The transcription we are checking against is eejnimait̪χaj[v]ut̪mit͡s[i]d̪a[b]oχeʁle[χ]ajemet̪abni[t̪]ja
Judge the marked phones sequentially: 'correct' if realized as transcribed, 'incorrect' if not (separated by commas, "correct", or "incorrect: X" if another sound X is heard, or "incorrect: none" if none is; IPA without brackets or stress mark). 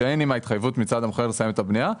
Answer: correct, incorrect: a, incorrect: m, incorrect: s, incorrect: none